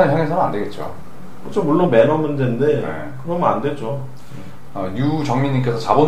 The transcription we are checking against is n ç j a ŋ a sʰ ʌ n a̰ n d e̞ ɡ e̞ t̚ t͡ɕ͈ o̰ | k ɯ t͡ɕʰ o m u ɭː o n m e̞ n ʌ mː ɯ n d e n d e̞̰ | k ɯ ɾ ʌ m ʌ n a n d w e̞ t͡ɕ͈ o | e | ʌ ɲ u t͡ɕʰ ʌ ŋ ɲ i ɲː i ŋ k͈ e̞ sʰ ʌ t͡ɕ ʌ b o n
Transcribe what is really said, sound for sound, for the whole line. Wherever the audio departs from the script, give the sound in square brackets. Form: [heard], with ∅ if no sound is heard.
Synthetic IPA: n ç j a ŋ [e] sʰ ʌ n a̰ n d e̞ ɡ e̞ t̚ t͡ɕ͈ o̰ | k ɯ t͡ɕʰ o m u ɭː o n m e̞ n ʌ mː ɯ n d e n d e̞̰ | k ɯ ɾ ʌ m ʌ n a n d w e̞ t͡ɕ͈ o | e | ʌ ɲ u [t͡ɕ] ʌ ŋ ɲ i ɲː i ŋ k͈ e̞ sʰ ʌ t͡ɕ [a] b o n